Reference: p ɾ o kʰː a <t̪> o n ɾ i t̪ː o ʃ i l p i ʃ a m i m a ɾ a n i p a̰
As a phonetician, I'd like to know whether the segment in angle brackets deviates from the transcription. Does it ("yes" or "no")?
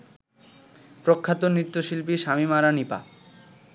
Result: no